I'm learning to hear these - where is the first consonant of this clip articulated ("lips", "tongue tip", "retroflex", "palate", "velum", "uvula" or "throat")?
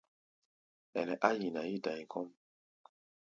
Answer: tongue tip